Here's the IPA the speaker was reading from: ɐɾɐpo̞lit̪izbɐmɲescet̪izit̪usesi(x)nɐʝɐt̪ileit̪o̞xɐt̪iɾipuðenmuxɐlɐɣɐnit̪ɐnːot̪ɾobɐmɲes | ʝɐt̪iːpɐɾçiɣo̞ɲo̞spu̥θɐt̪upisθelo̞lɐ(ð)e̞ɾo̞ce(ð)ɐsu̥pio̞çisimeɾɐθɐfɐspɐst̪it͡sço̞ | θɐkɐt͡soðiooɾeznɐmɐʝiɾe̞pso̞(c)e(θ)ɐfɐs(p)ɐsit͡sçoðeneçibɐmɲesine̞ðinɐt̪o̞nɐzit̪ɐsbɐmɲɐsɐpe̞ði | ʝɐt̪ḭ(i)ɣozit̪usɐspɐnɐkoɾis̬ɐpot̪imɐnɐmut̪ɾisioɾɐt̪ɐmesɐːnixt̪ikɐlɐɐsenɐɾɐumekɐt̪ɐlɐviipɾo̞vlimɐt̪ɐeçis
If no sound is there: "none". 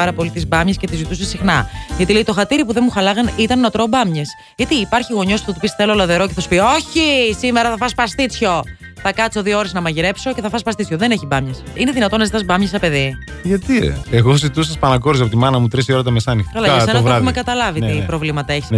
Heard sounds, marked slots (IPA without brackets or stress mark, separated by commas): x, ð, θ, c, θ, p, e